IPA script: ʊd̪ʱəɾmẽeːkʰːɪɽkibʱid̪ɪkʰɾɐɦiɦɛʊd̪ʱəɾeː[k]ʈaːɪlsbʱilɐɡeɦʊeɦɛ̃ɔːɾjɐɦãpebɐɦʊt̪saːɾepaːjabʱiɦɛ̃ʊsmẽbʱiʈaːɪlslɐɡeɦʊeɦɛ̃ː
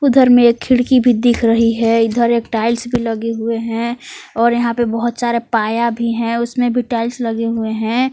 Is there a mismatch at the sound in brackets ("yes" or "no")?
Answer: no